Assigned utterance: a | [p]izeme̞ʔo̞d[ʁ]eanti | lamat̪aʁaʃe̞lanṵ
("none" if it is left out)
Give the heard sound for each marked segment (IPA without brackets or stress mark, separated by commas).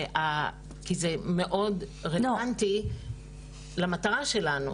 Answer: k, ʁ